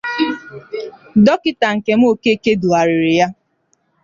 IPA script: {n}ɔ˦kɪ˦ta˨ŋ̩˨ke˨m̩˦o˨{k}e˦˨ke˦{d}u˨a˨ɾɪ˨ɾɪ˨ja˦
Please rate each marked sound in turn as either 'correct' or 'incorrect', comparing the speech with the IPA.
incorrect, correct, correct

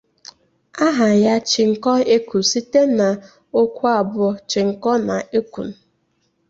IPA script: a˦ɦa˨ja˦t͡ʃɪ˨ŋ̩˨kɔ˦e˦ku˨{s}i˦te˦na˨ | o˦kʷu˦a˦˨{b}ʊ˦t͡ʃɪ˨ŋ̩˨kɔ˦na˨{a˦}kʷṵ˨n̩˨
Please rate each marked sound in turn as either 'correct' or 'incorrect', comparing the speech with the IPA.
correct, correct, incorrect

